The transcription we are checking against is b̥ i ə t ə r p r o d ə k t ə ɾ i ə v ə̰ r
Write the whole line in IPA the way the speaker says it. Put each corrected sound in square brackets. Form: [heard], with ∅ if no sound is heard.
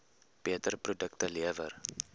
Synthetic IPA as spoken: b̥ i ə t ə r p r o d ə k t ə [l] i ə v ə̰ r